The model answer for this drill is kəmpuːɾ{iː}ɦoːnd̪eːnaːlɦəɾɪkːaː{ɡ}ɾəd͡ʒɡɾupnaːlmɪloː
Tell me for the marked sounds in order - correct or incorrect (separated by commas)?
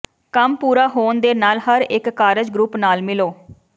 incorrect, incorrect